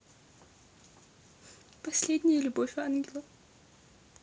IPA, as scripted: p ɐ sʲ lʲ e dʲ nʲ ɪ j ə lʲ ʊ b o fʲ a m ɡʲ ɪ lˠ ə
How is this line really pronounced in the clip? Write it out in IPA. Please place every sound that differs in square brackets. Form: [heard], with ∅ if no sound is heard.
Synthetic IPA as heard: p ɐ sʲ lʲ e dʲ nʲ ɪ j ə lʲ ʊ b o fʲ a [n] ɡʲ ɪ lˠ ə